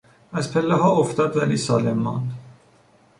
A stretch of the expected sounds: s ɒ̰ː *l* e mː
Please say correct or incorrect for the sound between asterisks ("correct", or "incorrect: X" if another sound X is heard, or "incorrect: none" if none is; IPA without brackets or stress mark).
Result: correct